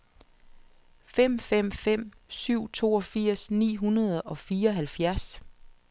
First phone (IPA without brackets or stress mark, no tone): f